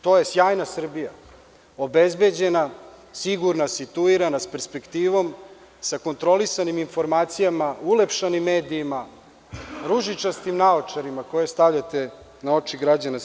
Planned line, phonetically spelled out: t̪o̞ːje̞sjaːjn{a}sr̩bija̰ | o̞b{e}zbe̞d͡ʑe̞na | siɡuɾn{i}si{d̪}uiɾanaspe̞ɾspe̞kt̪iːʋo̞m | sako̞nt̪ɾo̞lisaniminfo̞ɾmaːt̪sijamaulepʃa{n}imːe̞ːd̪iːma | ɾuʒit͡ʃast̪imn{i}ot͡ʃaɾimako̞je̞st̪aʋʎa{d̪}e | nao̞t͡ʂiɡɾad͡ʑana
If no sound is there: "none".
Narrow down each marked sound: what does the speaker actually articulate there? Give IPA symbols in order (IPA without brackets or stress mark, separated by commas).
a, e, a, t̪, n, a, t̪